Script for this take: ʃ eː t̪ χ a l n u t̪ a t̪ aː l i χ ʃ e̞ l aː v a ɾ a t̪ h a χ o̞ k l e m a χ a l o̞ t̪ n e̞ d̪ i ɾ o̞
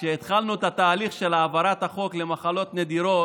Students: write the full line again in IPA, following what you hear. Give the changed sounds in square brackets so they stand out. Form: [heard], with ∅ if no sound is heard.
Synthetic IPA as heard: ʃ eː t̪ χ a l n u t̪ a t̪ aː l i χ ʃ e̞ l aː v a ɾ a t̪ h a χ o̞ k l e m a χ a l o̞ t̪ n e̞ d̪ i ɾ o̞